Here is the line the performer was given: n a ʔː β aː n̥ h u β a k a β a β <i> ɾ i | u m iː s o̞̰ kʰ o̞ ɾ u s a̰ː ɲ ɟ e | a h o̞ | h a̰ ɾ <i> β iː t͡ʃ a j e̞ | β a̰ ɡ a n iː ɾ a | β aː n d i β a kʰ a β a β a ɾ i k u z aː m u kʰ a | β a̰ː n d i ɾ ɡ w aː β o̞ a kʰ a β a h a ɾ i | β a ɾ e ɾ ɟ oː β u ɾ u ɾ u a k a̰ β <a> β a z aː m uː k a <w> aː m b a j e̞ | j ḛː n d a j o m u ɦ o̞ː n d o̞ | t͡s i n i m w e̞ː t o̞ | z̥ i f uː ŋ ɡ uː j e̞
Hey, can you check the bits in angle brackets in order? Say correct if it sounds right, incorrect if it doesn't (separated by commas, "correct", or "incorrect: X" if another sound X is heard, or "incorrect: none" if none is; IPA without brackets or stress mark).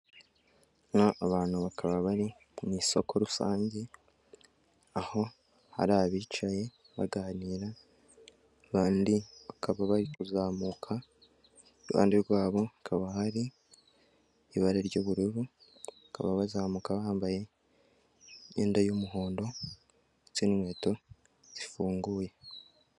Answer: incorrect: a, incorrect: a, correct, incorrect: β